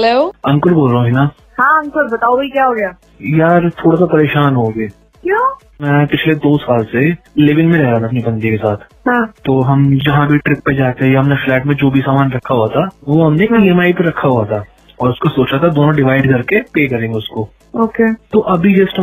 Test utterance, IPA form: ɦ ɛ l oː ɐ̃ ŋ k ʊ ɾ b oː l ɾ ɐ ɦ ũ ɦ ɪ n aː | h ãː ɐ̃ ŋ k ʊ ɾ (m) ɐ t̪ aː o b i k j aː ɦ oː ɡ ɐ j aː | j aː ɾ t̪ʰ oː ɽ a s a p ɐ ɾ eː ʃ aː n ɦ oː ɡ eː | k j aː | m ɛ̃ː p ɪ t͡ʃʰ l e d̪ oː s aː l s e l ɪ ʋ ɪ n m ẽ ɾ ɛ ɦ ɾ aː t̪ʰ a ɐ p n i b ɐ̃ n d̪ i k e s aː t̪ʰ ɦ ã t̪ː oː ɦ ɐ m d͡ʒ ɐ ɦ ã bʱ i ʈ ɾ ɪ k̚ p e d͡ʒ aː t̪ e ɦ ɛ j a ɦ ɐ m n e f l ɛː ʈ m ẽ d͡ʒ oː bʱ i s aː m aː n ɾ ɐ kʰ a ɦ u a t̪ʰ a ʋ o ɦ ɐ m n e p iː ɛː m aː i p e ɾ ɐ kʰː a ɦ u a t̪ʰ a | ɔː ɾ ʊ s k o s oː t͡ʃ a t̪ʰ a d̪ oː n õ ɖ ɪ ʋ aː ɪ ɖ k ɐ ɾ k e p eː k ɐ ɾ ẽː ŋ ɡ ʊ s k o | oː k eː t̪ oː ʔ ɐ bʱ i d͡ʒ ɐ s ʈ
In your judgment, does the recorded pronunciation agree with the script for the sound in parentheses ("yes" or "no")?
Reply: no